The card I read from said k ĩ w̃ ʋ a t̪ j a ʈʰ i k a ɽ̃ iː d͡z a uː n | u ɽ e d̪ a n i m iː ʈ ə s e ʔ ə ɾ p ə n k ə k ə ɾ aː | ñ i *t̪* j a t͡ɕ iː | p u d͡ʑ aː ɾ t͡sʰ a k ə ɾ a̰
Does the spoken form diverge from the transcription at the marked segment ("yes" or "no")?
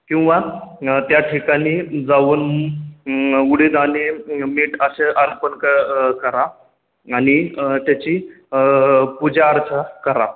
no